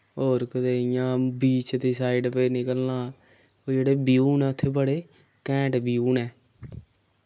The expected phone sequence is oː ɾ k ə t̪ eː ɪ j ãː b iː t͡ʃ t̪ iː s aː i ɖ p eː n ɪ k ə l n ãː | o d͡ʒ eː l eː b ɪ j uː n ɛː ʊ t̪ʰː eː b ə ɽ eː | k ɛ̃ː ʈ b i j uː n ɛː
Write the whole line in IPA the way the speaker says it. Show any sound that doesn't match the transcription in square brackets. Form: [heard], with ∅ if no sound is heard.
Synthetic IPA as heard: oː ɾ k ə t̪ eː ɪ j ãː b iː t͡ʃ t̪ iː s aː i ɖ p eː n ɪ k ə l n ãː | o d͡ʒ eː [ɽ] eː b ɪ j uː n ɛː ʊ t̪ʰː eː b ə ɽ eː | k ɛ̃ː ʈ b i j uː n ɛː